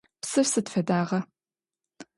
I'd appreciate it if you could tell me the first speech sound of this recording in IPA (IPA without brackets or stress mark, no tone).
p